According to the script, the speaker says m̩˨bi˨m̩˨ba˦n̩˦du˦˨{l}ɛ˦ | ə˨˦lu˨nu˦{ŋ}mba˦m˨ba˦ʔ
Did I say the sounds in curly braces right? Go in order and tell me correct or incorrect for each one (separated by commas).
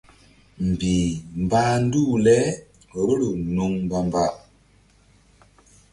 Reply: correct, correct